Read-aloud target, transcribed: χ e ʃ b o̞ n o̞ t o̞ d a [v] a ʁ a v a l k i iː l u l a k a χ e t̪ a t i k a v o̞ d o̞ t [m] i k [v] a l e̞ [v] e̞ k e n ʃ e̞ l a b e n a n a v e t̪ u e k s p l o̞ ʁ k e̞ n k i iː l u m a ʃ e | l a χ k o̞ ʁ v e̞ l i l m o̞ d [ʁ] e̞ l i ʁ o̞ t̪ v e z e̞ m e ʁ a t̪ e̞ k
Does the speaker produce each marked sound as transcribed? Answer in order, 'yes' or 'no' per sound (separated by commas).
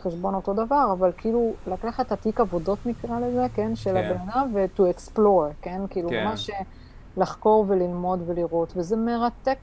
yes, no, no, no, no